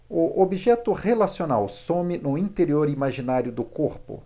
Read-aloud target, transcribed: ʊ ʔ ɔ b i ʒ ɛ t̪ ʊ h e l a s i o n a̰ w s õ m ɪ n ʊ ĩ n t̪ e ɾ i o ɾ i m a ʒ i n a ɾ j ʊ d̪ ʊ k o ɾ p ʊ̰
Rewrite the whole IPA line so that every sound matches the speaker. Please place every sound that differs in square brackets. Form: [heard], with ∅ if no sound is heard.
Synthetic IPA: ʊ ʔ [o] b i ʒ ɛ t̪ ʊ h e l a s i o n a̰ w s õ m ɪ n ʊ ĩ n t̪ e ɾ i o ɾ i m a ʒ i n a ɾ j ʊ d̪ ʊ k o ɾ p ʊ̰